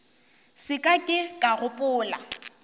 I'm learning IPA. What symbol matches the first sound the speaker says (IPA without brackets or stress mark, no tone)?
s